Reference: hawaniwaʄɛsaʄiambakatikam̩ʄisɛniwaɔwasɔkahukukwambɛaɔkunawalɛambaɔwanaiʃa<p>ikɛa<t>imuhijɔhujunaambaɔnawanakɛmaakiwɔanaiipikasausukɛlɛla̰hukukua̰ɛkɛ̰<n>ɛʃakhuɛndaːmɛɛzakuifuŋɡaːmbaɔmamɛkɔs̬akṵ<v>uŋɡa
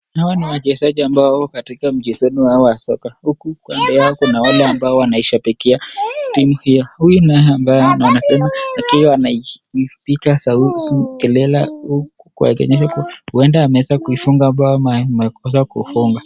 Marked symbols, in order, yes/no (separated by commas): yes, yes, no, no